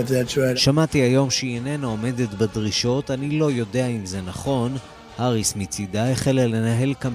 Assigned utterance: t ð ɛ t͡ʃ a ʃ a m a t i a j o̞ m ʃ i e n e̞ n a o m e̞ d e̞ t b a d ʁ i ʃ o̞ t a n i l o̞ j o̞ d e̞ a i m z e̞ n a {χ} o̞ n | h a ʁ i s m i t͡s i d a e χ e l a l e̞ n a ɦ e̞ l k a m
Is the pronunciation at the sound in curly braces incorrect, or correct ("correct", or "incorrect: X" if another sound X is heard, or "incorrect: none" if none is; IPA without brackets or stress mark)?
correct